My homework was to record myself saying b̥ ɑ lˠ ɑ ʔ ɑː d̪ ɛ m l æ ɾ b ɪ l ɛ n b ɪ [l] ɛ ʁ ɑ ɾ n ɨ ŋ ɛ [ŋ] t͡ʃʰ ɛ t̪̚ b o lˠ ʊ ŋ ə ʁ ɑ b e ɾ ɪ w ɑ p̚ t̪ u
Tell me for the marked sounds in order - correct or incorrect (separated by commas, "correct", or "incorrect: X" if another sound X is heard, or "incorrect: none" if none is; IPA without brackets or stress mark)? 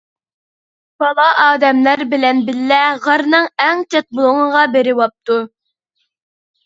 incorrect: lː, correct